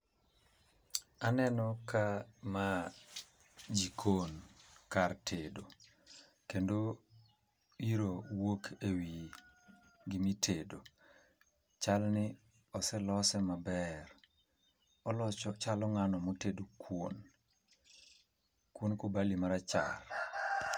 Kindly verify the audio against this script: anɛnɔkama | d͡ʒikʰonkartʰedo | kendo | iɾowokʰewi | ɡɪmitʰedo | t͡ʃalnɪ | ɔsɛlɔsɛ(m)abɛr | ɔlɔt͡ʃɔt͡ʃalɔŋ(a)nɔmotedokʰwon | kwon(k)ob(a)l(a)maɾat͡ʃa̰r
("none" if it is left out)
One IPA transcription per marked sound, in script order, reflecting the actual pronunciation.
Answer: m, a, k, a, i

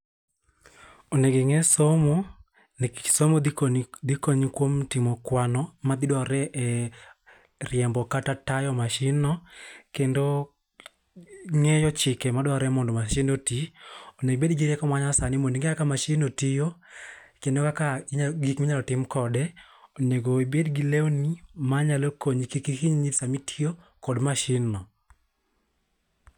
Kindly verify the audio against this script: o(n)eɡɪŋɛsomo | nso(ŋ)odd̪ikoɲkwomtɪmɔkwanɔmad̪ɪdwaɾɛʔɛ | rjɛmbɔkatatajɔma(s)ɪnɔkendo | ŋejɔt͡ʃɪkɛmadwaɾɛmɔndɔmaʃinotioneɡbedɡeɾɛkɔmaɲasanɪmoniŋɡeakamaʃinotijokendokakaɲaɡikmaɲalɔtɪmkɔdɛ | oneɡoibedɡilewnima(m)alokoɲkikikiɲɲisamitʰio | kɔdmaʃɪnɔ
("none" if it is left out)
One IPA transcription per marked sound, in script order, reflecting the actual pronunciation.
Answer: n, m, ʃ, ɲ

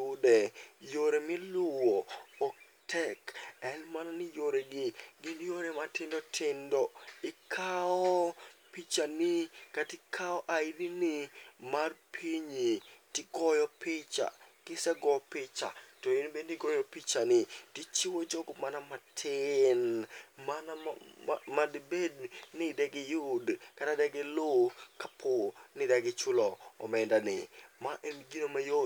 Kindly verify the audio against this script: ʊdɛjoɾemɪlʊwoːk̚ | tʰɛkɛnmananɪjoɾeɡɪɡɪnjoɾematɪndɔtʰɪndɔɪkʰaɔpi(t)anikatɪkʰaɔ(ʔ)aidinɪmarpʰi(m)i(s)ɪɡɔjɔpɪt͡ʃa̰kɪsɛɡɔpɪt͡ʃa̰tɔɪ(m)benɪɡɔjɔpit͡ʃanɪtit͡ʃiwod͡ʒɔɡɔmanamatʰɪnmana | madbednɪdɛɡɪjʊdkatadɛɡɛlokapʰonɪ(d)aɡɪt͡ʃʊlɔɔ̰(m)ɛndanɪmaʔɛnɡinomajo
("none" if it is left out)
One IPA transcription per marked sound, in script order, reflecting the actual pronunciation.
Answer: t͡ʃ, ʔ, ɲ, t, n, d, m

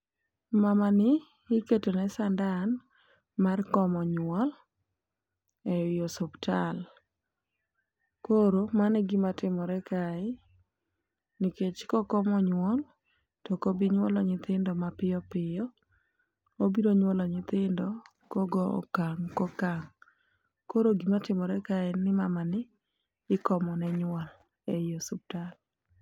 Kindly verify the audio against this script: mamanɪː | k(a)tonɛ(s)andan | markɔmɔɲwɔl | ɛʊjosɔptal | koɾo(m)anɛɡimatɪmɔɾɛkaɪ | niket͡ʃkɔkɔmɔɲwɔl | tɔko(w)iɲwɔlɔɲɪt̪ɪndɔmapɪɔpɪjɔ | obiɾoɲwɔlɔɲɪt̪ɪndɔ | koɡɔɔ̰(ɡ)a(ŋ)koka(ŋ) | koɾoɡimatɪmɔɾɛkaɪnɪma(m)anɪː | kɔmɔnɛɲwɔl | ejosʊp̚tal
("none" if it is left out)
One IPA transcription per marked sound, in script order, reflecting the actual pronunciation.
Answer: e, s, m, b, k, ŋ, ŋ, m

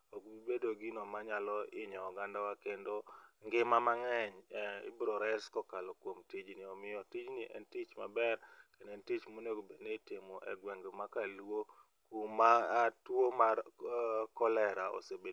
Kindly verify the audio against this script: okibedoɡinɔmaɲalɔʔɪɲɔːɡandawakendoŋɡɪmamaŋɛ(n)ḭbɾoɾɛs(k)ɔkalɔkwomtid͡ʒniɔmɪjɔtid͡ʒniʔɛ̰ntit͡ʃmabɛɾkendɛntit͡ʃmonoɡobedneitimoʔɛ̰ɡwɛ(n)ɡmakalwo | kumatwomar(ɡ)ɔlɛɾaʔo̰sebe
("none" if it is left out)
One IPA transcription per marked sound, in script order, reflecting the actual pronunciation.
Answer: ɲ, k, ŋ, k

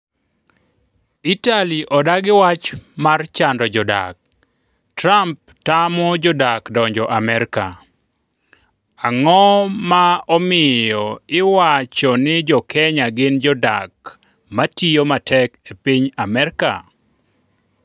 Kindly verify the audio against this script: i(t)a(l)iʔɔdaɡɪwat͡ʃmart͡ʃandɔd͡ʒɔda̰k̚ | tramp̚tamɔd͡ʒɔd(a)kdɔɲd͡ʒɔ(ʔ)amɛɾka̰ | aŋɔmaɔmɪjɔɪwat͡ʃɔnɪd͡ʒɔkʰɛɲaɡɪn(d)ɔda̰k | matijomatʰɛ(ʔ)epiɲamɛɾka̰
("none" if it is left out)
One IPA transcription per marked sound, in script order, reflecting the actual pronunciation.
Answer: t, l, a, ʔ, d͡ʒ, k

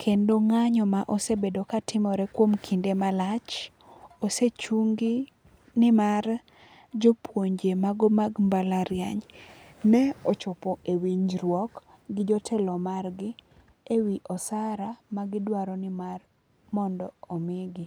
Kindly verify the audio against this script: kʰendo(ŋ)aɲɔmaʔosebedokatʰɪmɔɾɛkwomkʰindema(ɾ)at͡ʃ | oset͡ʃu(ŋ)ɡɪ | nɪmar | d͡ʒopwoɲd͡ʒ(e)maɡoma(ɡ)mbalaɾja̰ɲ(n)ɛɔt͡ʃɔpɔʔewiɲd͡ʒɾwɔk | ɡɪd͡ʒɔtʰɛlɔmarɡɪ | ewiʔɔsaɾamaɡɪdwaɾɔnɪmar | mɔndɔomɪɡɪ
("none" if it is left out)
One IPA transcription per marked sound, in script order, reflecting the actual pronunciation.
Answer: ŋ, l, ŋ, e, ɡ, n

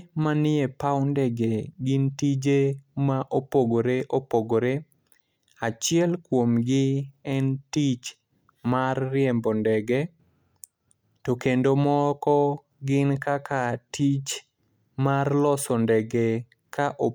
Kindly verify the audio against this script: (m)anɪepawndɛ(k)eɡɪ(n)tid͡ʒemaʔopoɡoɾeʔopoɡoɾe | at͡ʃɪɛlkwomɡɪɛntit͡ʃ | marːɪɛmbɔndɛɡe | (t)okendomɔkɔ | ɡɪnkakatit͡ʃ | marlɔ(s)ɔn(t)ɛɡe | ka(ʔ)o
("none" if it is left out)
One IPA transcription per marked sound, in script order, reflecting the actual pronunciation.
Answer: m, ɡ, n, t, s, d, ʔ

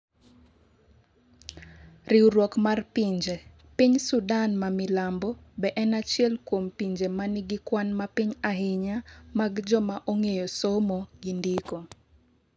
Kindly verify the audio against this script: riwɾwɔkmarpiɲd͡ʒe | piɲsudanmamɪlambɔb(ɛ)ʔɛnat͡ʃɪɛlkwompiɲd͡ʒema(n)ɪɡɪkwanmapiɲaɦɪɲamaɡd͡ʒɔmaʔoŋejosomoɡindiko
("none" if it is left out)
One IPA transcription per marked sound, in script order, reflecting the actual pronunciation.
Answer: ɛ, n

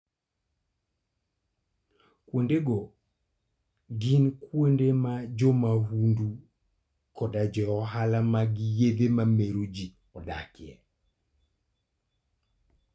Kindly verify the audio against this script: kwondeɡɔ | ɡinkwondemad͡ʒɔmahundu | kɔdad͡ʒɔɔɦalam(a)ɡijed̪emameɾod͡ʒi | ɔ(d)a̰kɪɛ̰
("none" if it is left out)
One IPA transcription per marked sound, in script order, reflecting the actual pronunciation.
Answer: a, d

